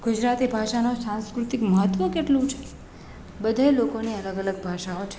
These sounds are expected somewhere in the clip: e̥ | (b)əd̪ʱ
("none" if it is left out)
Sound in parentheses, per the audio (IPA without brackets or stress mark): b